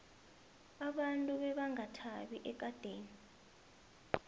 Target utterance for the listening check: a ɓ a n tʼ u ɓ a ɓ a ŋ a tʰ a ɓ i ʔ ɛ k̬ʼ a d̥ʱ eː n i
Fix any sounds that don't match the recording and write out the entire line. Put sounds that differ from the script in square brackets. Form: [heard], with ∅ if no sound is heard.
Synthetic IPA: a ɓ a n tʼ u ɓ [ɛ] ɓ a ŋ a tʰ a ɓ i ʔ ɛ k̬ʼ a d̥ʱ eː n i